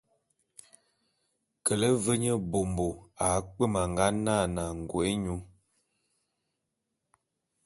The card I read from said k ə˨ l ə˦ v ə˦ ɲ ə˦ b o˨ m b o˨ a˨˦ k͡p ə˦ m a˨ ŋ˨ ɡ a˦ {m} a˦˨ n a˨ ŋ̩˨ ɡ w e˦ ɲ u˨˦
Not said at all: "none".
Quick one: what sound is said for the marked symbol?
n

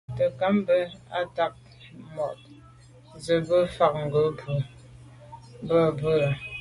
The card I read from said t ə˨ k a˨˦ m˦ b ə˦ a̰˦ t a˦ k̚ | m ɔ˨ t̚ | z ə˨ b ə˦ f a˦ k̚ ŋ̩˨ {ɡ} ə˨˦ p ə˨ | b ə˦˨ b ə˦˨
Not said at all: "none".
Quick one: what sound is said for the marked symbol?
ɡ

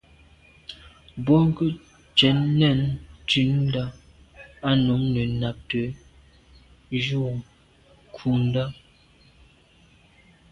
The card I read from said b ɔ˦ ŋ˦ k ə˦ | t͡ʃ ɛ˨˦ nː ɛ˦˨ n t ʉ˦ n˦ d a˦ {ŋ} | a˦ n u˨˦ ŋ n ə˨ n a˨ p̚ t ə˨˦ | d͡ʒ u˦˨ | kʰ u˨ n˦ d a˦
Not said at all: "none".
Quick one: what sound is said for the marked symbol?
none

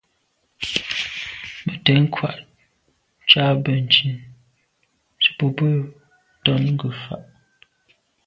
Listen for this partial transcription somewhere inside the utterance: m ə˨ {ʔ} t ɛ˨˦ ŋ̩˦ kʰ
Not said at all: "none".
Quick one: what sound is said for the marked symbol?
none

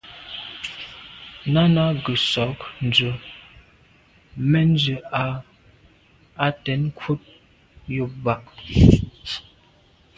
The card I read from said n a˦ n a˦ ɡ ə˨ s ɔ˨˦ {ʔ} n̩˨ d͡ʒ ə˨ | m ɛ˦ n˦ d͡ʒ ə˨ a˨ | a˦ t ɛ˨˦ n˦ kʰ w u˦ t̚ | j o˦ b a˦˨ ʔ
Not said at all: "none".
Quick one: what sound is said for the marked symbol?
k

